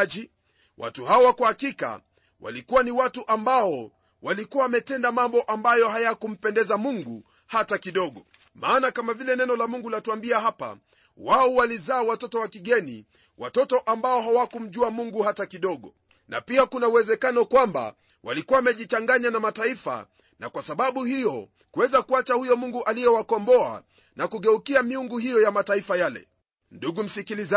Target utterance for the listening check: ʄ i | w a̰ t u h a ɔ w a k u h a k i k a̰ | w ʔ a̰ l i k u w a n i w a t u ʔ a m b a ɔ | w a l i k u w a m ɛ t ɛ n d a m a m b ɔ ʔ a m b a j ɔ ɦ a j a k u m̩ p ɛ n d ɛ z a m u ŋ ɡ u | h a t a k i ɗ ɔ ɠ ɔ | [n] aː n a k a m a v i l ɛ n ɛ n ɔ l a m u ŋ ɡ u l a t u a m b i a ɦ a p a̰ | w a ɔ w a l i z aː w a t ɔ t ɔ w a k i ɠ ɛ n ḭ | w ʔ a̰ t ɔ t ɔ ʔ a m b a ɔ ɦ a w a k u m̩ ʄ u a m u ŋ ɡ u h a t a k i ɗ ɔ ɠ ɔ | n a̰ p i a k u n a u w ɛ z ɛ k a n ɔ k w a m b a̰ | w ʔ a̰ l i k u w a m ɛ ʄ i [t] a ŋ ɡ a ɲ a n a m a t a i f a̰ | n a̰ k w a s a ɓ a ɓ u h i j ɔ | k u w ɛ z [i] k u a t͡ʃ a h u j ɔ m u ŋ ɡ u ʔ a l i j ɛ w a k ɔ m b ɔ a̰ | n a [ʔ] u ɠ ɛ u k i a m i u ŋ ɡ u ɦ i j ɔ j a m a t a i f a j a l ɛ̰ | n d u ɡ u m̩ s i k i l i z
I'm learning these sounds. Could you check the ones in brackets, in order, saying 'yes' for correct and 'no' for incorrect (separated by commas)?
no, no, no, no